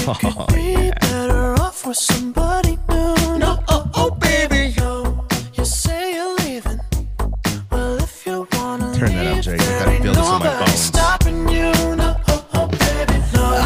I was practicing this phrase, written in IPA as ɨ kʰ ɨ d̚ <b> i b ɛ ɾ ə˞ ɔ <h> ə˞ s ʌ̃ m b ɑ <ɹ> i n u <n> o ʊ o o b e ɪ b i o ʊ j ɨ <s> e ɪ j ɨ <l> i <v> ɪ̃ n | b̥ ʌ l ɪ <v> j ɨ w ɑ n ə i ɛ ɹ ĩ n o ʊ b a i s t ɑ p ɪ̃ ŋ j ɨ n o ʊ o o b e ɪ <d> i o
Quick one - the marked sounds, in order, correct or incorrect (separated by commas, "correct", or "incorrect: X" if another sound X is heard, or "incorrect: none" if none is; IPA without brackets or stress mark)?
correct, incorrect: f, incorrect: ɾ, correct, correct, correct, correct, incorrect: f, incorrect: b